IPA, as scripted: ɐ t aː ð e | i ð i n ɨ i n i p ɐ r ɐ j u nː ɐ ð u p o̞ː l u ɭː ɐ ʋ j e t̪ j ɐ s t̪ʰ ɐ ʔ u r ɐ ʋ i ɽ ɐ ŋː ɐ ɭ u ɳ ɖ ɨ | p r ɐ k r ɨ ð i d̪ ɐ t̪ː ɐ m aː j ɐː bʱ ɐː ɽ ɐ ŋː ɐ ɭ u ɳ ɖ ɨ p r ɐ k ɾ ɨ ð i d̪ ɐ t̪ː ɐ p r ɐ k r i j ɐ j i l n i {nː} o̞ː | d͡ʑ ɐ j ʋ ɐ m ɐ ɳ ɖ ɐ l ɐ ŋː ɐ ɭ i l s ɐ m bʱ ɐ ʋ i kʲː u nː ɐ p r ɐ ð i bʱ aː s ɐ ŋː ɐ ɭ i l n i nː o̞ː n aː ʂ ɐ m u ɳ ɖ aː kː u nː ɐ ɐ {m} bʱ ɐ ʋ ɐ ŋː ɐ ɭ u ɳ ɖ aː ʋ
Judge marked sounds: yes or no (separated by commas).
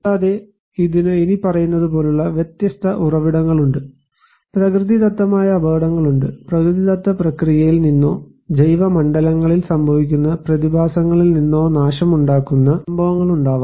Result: yes, yes